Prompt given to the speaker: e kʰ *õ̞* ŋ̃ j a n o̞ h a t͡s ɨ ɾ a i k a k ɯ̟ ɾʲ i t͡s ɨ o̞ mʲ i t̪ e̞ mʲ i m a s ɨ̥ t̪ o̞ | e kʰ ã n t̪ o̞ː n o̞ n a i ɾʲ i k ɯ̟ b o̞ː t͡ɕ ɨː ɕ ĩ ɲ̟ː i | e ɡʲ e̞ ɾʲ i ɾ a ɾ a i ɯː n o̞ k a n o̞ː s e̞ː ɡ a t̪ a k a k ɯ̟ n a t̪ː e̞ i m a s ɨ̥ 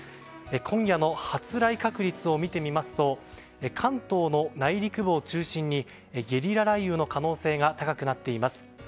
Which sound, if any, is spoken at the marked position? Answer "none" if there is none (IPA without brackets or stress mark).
õ̞